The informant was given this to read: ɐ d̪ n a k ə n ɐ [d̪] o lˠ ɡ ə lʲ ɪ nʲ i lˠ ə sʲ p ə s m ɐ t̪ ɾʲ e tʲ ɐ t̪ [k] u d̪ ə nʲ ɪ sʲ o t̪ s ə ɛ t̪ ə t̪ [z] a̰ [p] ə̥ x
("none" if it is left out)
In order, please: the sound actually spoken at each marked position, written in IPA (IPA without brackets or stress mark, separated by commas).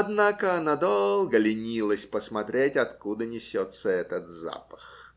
d̪, k, z, p